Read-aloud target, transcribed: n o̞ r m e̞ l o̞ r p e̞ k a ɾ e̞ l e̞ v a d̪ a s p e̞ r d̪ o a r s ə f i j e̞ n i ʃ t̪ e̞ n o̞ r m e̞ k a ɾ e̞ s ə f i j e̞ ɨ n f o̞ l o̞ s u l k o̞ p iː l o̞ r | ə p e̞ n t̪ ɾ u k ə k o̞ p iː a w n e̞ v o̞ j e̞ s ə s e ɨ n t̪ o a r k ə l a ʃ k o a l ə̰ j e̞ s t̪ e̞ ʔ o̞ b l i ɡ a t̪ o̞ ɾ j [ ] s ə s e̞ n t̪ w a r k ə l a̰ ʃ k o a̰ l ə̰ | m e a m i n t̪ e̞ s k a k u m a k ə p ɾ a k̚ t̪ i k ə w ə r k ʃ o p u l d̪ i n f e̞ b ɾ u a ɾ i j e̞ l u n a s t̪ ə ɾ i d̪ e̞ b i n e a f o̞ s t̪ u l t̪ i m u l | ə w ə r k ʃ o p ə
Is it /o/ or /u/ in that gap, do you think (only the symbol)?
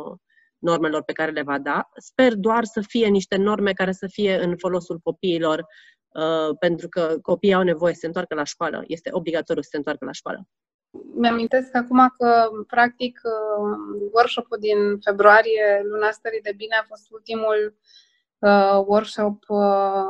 u